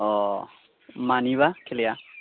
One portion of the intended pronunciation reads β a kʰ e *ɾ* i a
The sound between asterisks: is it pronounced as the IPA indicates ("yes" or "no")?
no